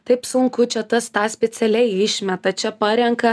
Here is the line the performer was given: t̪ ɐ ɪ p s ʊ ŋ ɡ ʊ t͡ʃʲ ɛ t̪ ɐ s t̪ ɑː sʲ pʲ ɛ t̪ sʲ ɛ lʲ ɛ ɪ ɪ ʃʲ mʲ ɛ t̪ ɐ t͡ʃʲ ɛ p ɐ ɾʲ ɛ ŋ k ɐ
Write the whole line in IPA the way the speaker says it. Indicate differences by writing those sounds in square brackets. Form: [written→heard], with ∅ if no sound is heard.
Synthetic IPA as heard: t̪ ɐ ɪ p s ʊ ŋ [ɡ→k] ʊ t͡ʃʲ ɛ t̪ ɐ s t̪ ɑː sʲ pʲ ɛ t̪ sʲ ɛ lʲ ɛ ɪ ɪ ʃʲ mʲ ɛ t̪ ɐ t͡ʃʲ ɛ p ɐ ɾʲ ɛ ŋ k ɐ